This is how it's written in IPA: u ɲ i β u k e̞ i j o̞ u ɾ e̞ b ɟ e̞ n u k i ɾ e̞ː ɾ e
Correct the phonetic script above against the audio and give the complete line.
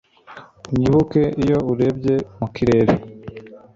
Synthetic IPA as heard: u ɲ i β u k e̞ i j o̞ u ɾ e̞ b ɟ e̞ m u k i ɾ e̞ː ɾ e